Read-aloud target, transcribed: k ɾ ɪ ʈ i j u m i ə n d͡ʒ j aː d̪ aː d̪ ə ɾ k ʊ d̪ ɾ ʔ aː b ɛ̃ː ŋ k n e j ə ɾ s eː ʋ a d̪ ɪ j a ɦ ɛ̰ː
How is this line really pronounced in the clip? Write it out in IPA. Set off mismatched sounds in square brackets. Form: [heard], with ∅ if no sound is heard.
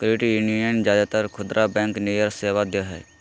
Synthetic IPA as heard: k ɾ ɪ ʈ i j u [n] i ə n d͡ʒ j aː d̪ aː [t̪] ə ɾ [kʰ] ʊ d̪ ɾ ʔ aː b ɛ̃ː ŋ k n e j ə ɾ s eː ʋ a d̪ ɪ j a ɦ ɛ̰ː